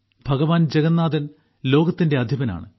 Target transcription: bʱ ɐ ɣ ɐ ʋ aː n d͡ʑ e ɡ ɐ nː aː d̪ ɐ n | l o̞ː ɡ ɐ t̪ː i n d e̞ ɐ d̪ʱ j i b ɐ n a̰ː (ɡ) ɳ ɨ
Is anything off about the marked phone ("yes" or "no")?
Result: yes